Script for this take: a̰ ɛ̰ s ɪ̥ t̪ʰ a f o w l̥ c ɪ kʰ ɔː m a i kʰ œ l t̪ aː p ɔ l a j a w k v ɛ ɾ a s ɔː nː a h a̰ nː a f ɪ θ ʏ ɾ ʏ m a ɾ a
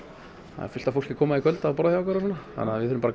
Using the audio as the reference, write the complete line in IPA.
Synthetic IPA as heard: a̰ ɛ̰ f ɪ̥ t̪ a f o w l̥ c ɪ kʰ ɔː m a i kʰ œ l t̪ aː p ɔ ɾ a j a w k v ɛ ɾ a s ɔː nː a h a̰ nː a v ɪ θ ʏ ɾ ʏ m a ɾ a